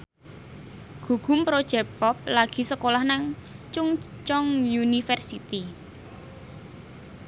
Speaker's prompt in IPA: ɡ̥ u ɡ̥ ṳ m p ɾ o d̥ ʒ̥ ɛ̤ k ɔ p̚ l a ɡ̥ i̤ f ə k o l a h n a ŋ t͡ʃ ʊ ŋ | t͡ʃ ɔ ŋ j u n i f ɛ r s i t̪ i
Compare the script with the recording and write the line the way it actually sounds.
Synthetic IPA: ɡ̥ u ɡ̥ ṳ m p ɾ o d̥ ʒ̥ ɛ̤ p ɔ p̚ l a ɡ̥ i̤ s ə k o l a h n a ŋ t͡ʃ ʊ ŋ | t͡ʃ ɔ ŋ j u n i f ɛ r s i t̪ i